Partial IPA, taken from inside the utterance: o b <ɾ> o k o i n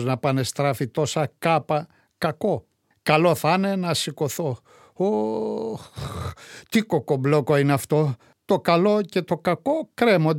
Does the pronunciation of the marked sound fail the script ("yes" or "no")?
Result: yes